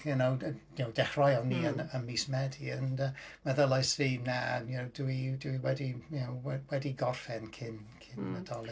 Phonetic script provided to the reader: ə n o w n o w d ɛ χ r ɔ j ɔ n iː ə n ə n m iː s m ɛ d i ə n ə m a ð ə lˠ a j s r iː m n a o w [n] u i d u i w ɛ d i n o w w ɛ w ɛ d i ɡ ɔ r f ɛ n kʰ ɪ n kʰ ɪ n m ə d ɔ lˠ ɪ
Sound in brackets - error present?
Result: yes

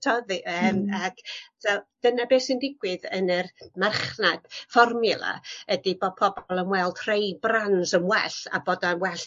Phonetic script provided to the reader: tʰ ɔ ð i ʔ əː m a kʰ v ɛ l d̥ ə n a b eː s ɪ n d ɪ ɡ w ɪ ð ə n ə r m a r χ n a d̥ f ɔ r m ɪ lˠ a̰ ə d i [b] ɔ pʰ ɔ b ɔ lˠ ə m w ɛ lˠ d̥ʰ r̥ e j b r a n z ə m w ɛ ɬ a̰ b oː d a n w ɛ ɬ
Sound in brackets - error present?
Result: no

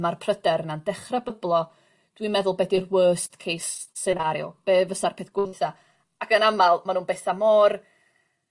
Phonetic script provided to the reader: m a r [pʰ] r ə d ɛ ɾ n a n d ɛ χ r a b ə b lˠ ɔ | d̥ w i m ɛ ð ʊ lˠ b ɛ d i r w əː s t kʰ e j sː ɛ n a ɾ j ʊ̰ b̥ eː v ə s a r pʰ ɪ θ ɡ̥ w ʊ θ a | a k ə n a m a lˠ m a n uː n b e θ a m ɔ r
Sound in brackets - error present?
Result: no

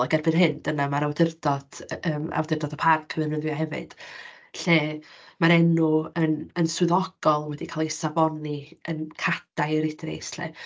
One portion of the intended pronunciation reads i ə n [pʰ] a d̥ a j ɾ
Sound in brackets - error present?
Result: yes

